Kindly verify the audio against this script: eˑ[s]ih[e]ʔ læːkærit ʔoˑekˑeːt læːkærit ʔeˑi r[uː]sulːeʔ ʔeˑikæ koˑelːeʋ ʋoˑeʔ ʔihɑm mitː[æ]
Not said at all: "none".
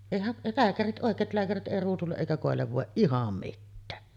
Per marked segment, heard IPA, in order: none, æ, uː, æː

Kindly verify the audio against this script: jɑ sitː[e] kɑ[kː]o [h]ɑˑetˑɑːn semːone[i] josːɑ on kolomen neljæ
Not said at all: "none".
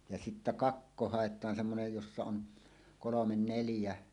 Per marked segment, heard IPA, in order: æ, kː, h, j

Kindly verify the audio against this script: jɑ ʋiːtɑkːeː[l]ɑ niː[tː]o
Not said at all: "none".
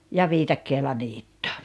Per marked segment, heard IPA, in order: l, tː

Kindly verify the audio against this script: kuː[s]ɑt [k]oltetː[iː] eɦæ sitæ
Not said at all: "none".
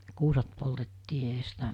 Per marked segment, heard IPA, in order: s, p, iː

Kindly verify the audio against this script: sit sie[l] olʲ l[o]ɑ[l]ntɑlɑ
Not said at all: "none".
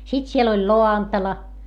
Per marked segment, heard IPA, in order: l, o, none

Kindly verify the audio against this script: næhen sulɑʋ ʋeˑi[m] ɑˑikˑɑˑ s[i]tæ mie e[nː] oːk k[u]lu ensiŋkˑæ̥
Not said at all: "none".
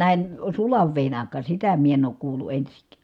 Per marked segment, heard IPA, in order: n, i, n, uː

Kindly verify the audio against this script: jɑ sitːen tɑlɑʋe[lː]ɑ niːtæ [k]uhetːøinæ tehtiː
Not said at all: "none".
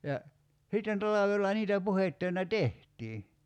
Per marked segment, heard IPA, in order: lː, p

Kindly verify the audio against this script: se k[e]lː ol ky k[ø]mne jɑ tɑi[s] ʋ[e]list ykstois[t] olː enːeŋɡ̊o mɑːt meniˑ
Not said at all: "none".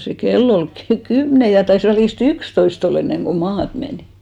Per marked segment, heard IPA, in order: e, y, s, æ, t

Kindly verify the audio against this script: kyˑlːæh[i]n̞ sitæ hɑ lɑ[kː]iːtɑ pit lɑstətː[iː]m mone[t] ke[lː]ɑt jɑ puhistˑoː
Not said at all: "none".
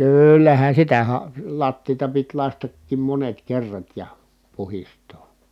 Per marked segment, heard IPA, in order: æ, tː, iː, t, rː

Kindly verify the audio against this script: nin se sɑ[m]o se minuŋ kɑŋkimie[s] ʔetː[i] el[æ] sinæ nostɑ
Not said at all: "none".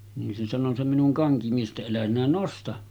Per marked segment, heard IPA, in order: n, s, æ, æ

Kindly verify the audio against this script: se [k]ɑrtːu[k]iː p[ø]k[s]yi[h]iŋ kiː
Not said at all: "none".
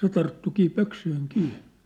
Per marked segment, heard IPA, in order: t, k, ø, s, h

